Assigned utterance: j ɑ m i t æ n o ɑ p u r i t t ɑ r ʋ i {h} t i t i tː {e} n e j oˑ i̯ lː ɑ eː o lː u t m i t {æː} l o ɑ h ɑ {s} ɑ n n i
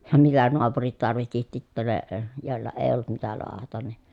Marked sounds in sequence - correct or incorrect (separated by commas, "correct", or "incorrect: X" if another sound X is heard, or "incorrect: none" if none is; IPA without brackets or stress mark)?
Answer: correct, incorrect: æ, incorrect: æ, incorrect: t